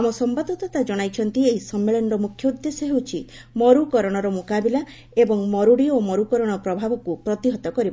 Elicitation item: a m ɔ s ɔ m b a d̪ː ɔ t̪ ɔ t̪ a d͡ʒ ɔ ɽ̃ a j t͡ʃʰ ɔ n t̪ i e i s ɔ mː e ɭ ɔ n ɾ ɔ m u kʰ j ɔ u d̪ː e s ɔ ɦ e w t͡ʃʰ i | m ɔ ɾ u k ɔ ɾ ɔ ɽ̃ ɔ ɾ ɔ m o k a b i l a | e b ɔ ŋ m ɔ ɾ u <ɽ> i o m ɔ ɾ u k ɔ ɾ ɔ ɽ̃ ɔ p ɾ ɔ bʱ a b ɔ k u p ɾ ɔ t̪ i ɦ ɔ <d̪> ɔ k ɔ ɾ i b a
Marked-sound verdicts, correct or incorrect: correct, incorrect: t̪

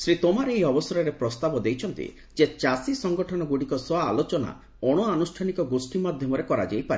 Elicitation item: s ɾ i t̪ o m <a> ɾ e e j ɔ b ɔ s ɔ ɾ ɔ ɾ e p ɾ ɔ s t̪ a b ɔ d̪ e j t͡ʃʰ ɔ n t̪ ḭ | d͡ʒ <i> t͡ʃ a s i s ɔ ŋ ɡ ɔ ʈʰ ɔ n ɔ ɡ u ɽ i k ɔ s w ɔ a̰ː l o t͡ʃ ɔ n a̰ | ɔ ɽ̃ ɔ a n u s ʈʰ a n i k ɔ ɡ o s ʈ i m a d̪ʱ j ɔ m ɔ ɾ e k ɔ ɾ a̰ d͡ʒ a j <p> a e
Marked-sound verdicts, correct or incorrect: correct, incorrect: e, correct

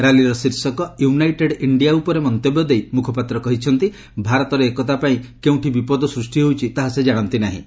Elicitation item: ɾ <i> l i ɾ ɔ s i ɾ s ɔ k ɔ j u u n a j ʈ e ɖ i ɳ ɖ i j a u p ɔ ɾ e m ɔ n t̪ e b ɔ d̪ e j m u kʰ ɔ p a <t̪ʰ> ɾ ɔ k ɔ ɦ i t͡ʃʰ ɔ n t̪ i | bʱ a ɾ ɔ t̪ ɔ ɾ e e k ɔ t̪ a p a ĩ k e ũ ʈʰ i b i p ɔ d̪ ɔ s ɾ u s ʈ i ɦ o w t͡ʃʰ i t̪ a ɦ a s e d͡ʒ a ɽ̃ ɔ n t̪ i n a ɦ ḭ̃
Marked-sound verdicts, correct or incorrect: incorrect: a, incorrect: t̪

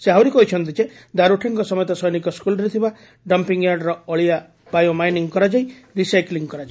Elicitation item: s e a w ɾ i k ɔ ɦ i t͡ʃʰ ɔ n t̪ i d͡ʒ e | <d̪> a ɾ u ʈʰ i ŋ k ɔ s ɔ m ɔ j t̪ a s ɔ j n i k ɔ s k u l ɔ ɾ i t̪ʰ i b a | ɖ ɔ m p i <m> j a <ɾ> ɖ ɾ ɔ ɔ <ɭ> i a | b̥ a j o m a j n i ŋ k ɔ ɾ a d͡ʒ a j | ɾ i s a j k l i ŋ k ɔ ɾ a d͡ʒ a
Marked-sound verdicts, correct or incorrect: correct, incorrect: ŋ, correct, correct

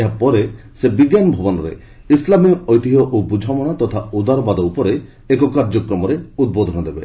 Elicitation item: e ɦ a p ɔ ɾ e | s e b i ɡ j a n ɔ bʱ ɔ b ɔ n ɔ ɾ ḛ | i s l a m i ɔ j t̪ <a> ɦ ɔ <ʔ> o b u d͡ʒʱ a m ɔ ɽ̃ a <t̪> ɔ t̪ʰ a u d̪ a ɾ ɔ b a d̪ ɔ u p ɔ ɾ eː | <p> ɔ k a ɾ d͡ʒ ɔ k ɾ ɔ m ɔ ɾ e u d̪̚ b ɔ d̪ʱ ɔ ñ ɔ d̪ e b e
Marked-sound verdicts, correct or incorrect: incorrect: i, correct, correct, incorrect: k

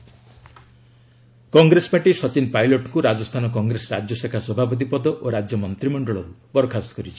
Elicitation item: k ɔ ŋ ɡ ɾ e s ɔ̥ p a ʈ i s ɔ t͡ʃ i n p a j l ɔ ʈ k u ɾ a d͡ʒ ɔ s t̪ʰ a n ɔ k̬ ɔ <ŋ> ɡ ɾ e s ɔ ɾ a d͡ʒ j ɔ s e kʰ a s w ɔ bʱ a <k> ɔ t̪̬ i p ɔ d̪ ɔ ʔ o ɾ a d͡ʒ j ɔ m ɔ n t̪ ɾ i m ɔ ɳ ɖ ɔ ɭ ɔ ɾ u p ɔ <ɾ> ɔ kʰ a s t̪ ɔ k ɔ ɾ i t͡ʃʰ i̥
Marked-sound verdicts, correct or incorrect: correct, incorrect: p, correct

